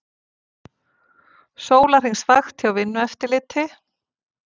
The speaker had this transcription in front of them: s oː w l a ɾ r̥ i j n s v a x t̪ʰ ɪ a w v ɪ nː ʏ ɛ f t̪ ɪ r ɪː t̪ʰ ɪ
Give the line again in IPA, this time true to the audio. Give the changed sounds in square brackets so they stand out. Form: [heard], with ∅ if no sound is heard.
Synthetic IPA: s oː w l a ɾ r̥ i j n s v a x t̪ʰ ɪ a w v ɪ nː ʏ ɛ f t̪ ɪ [l] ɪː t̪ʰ ɪ